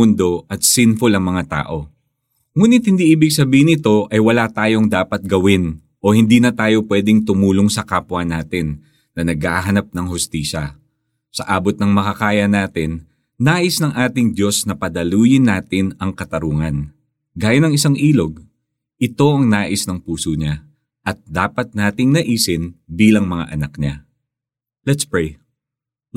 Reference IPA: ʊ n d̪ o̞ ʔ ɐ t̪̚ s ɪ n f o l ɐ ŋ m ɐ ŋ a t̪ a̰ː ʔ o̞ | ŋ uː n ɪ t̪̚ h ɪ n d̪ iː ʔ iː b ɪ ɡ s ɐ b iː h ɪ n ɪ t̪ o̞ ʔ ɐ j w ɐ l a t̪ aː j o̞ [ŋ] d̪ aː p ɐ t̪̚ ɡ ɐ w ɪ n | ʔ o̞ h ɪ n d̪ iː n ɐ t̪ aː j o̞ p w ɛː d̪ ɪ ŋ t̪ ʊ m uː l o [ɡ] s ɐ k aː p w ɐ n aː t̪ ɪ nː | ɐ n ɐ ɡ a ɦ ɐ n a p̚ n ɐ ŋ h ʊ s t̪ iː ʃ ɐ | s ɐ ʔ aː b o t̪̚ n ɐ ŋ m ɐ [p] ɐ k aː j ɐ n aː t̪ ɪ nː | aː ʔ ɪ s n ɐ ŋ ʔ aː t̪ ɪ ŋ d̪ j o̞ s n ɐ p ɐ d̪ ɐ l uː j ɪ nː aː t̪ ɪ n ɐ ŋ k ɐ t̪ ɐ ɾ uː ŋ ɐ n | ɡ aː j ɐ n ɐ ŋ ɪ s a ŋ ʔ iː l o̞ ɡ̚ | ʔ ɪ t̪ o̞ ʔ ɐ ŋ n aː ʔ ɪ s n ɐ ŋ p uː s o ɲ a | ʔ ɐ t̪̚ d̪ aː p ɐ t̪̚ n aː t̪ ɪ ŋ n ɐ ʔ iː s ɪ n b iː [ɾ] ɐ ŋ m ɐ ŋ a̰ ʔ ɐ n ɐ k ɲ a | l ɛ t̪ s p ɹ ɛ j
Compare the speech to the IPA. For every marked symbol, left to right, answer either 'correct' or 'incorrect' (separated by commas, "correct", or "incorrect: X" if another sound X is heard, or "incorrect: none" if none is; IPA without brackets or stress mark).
correct, incorrect: ŋ, incorrect: k, incorrect: l